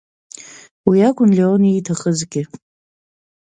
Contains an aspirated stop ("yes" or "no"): yes